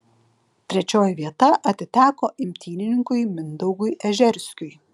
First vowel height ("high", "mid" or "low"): mid